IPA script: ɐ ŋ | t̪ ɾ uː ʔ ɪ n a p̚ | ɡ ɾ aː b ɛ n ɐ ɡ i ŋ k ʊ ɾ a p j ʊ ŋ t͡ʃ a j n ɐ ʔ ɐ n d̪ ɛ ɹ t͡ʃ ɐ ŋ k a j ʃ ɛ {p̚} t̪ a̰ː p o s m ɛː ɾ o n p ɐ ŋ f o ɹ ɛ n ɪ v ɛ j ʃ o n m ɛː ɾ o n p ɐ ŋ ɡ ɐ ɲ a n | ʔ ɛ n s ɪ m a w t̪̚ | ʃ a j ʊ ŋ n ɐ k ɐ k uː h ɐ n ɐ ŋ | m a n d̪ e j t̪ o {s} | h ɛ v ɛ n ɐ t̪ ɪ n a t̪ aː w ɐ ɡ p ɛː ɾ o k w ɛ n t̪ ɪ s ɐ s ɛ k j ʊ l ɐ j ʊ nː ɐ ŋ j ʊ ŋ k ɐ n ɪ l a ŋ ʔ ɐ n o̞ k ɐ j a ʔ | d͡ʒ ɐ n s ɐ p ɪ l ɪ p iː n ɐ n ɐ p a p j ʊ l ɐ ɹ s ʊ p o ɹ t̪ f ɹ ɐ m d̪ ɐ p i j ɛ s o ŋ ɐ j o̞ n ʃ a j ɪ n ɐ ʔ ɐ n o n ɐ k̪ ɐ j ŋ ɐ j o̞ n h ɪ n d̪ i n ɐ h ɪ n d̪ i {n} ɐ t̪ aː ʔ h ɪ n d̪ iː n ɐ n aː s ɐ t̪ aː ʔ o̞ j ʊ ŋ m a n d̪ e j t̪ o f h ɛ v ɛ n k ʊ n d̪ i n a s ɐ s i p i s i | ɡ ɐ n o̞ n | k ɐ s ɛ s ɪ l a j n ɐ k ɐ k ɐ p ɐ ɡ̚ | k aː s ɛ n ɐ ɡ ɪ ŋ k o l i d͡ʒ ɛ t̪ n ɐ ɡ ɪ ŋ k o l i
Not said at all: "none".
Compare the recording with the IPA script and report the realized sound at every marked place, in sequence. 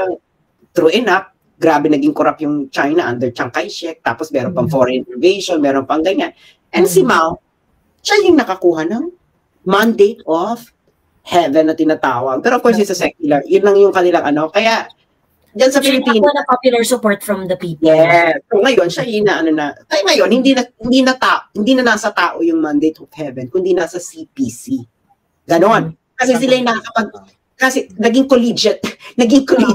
k̚, f, n

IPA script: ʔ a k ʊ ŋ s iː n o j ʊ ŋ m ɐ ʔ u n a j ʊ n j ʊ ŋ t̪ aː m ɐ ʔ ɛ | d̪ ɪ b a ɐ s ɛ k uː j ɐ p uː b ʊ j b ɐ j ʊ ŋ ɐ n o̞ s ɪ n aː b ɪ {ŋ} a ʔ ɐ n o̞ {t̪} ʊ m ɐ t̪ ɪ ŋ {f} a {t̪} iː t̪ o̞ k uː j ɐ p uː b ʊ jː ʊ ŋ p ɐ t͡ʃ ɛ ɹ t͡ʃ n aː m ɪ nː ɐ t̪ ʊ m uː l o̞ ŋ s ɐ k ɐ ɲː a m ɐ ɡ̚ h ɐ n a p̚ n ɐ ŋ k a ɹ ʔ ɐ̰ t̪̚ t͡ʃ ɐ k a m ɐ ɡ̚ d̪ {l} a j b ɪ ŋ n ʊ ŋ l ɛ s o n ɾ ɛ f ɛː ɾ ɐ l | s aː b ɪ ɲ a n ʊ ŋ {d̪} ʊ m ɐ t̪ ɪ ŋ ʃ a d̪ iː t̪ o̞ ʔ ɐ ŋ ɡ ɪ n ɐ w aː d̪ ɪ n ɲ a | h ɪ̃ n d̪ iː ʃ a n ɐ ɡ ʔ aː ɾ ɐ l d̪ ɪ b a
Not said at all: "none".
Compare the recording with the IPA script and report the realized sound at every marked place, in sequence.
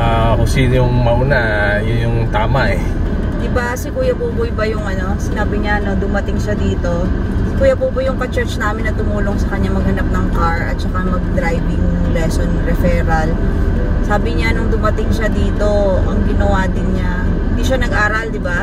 ɲ, d̪, ʃ, d̪, ɾ, d̪

